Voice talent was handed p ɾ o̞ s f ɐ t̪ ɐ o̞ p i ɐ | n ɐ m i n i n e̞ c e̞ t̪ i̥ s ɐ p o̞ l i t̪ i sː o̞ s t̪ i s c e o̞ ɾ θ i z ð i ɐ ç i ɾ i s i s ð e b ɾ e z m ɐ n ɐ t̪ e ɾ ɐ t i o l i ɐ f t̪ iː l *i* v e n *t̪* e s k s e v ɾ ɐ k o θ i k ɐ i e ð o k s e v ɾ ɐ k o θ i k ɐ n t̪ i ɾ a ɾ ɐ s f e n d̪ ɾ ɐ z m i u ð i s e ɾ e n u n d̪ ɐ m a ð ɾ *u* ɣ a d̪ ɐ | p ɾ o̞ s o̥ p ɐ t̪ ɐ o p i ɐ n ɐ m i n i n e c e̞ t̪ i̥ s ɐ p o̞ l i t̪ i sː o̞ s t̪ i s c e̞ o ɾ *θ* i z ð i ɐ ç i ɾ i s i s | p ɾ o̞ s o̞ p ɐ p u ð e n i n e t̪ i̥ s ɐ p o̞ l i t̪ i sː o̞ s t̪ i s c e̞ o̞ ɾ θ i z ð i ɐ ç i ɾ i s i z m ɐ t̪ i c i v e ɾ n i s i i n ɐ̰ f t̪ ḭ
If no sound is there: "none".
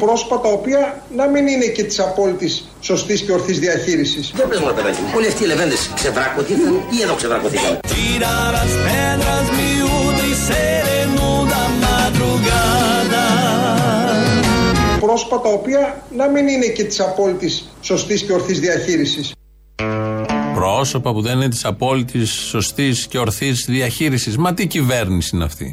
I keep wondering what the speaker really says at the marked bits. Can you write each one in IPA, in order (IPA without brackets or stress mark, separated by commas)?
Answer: e, d̪, u, θ